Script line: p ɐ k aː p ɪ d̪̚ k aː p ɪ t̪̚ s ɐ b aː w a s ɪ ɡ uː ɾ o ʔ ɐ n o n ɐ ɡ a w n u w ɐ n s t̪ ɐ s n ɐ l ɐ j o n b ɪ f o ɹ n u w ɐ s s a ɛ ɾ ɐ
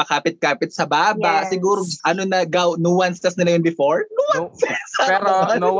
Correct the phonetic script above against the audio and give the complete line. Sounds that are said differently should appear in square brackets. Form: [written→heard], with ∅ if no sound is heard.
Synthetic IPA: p ɐ k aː p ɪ [d̪̚→t̪̚] k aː p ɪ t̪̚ s ɐ b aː [w→b] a s ɪ ɡ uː ɾ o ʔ ɐ n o n ɐ ɡ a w n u w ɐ n s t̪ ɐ s n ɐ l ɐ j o n b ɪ f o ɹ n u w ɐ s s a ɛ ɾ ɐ